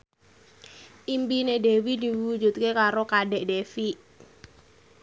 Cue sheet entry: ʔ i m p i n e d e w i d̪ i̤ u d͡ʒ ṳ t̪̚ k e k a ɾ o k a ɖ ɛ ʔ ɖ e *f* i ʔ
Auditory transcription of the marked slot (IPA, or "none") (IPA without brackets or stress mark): f